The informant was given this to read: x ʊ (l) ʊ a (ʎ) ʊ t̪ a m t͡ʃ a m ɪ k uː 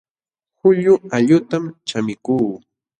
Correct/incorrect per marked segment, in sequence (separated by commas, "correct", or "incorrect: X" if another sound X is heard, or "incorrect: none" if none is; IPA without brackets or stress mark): incorrect: ʎ, correct